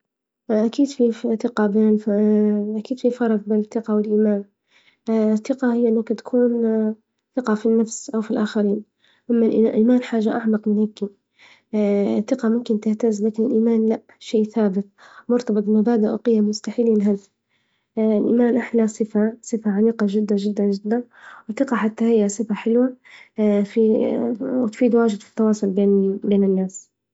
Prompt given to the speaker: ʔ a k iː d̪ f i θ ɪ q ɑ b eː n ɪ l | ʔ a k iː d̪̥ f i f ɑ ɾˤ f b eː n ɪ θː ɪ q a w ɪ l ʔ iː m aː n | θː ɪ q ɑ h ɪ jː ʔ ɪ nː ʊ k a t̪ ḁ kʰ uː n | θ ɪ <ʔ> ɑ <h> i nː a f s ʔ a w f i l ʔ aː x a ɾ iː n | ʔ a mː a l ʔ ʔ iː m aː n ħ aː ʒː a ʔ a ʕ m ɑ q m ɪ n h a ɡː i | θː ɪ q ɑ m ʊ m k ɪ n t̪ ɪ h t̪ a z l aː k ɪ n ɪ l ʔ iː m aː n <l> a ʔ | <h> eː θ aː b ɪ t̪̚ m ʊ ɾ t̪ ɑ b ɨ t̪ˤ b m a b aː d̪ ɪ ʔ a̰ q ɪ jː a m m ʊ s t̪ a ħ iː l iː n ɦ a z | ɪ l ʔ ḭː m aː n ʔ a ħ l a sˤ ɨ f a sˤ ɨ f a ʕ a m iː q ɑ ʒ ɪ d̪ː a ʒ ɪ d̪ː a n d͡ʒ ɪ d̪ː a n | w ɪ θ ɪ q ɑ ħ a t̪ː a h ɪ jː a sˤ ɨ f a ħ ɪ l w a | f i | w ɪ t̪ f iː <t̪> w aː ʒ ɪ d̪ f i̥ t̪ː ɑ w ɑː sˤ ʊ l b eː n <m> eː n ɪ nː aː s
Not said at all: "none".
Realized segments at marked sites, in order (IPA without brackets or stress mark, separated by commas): q, f, l, ʃ, d̪, b